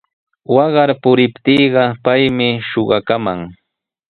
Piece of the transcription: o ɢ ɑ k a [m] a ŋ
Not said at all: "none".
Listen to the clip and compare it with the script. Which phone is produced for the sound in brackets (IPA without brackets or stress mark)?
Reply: m